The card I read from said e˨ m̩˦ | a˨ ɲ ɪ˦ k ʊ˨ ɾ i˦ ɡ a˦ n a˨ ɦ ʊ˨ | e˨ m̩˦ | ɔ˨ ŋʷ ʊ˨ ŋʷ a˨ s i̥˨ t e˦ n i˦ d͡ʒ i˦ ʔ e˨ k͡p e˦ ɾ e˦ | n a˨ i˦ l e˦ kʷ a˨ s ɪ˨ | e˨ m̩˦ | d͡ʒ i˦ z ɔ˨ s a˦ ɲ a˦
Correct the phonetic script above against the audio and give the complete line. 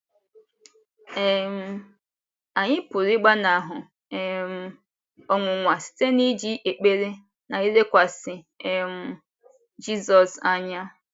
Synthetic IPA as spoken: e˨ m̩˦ | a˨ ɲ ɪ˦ p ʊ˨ ɾ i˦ ɡ͡b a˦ n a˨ ɦ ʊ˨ | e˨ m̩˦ | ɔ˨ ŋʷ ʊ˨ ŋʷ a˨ s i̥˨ t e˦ n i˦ d͡ʒ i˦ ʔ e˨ k͡p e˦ ɾ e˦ | n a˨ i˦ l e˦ kʷ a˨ s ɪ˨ | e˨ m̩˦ | d͡ʒ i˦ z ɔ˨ s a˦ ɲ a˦